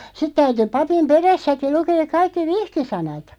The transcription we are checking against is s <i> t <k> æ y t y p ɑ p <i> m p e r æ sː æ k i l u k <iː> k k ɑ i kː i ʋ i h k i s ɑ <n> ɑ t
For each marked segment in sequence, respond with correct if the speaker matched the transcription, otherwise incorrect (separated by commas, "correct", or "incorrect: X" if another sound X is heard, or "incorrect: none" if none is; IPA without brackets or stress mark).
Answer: correct, incorrect: t, correct, incorrect: eː, correct